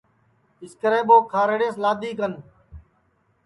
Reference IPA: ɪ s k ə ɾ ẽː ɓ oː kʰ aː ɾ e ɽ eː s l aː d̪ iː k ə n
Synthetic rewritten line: ɪ s k ə ɾ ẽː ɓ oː kʰ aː ɾ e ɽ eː s l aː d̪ iː k ə n